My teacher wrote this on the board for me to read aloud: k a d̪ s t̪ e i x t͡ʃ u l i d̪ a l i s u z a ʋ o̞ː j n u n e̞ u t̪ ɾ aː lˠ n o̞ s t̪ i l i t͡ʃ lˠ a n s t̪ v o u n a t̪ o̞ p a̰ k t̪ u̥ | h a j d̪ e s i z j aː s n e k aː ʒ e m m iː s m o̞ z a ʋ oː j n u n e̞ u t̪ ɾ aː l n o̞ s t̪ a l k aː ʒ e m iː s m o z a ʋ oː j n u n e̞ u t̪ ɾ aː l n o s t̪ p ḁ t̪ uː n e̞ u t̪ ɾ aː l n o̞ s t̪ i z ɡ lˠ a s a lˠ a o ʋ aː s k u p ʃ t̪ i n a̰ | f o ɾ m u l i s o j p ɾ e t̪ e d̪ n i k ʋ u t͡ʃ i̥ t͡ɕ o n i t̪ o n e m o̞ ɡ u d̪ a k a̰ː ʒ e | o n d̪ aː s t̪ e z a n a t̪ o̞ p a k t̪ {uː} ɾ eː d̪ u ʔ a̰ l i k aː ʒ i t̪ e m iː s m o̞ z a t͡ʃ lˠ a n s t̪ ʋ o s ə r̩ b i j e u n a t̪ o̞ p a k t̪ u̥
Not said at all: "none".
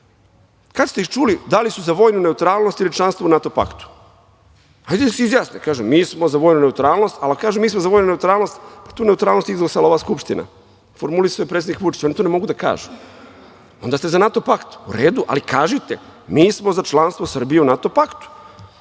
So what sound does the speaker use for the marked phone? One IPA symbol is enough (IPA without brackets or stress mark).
u